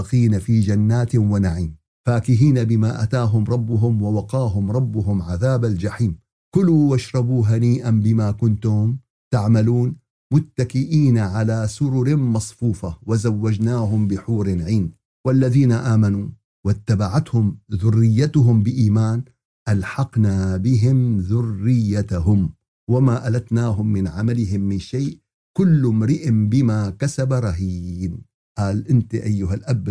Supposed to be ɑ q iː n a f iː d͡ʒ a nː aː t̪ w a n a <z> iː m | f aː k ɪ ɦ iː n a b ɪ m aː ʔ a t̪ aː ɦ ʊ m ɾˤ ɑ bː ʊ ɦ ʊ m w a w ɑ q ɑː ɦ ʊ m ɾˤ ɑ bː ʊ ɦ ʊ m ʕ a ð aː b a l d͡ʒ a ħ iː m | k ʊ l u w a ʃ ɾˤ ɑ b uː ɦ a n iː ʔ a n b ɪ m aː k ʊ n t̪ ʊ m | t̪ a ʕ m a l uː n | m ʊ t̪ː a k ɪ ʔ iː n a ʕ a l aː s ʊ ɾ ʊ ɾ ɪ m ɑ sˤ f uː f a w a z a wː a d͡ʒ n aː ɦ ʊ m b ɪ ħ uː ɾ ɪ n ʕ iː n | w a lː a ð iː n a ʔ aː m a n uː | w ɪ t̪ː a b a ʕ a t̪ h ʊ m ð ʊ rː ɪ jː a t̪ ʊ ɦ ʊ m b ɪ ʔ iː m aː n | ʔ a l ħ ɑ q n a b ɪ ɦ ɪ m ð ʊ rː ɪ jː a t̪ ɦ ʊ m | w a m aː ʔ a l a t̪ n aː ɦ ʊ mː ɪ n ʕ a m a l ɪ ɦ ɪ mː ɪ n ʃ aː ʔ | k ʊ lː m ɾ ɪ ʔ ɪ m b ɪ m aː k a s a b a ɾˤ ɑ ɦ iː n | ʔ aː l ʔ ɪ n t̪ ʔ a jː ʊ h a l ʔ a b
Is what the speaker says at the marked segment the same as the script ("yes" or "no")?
no